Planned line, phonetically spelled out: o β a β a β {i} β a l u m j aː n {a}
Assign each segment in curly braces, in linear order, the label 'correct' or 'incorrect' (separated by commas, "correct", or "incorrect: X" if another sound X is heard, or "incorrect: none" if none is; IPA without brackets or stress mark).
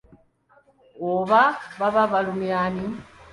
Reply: incorrect: a, incorrect: i